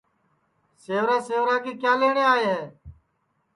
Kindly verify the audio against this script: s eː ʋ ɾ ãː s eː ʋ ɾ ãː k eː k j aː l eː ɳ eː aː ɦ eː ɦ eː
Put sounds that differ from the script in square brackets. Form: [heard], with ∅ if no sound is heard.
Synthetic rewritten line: s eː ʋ ɾ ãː s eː ʋ ɾ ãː k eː k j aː l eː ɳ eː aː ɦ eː ɦ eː